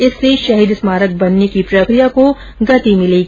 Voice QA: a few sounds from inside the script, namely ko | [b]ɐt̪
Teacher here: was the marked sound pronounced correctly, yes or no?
no